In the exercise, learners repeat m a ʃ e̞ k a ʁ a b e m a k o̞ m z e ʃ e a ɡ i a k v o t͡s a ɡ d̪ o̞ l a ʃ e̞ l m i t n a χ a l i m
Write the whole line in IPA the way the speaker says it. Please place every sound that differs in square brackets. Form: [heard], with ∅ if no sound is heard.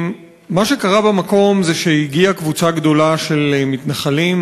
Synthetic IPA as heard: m a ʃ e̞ k a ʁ a b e m a k o̞ m z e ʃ e [i] ɡ i a k v [u] t͡s a ɡ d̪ o̞ l a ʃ e̞ l m i t n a χ a l i m